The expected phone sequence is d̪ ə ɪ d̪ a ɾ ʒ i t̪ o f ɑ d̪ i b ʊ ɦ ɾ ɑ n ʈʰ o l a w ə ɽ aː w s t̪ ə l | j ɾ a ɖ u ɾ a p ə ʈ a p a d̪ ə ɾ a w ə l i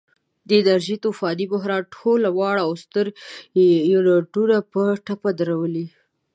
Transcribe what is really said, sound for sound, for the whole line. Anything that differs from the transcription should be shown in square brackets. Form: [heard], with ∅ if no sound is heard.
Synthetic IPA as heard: d̪ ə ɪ d̪ a ɾ ʒ i t̪ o f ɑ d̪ i b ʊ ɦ ɾ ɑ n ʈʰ o l a w [ɑ] ɽ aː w s t̪ ə [ɾ] | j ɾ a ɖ u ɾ a p ə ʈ a p a d̪ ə ɾ a w ə l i